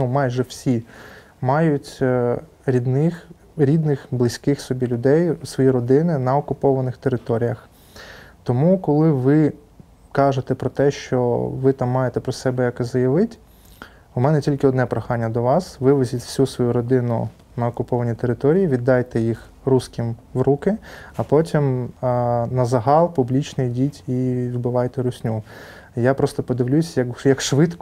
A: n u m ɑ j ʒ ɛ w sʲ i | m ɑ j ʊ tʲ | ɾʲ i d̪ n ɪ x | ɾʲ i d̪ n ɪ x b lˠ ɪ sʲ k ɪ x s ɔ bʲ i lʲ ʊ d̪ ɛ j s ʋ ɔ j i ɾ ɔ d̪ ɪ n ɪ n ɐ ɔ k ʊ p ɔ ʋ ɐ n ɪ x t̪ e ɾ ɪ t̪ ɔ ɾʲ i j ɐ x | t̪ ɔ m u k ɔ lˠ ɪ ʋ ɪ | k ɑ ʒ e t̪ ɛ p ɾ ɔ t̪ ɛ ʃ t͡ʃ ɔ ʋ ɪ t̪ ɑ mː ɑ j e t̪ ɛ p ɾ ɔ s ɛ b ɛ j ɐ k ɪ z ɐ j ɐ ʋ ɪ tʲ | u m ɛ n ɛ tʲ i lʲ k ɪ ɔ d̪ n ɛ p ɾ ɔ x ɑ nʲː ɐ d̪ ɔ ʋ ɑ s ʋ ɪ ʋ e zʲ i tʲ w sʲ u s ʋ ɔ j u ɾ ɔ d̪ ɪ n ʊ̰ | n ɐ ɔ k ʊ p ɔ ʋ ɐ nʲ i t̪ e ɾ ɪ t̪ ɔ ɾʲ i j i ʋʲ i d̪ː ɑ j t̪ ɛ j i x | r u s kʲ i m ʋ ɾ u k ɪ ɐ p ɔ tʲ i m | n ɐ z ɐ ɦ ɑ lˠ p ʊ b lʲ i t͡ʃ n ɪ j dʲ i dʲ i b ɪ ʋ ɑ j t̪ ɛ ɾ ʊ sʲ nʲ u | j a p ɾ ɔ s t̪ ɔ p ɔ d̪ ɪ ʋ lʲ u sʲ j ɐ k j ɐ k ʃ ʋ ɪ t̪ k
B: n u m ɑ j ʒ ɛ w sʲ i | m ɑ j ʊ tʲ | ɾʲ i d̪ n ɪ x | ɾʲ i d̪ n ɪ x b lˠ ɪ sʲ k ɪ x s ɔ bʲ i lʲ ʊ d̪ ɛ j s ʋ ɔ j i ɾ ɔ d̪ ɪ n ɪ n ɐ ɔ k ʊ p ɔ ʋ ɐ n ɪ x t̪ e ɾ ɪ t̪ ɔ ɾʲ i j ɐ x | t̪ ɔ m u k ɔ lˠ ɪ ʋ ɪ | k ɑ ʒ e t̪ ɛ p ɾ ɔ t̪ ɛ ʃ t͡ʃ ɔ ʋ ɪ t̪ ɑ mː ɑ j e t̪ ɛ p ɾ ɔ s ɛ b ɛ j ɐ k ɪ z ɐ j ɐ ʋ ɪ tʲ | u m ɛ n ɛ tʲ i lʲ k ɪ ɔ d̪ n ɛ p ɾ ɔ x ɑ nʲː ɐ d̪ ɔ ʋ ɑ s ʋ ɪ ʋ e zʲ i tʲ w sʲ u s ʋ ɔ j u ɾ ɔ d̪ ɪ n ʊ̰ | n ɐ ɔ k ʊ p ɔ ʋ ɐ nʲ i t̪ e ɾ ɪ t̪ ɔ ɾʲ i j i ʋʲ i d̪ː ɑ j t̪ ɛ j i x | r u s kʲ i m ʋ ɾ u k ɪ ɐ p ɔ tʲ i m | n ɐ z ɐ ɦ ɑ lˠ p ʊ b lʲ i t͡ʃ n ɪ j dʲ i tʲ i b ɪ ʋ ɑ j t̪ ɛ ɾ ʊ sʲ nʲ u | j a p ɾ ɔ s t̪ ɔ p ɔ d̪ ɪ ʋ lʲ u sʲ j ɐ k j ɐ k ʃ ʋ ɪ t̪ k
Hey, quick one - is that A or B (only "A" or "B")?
B